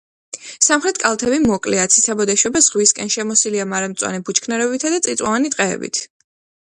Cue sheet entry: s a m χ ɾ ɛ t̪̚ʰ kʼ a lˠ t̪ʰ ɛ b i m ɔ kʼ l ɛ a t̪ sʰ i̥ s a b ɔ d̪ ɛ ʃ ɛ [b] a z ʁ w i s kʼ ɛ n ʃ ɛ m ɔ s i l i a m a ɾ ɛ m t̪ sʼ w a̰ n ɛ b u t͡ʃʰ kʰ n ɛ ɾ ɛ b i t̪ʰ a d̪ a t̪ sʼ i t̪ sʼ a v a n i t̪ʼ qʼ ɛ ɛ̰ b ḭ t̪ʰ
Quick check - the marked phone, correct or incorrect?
correct